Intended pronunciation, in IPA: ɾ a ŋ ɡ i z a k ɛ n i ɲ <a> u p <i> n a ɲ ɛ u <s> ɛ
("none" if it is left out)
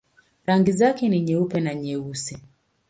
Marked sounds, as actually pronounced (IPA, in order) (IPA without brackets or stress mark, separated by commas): ɛ, ɛ, s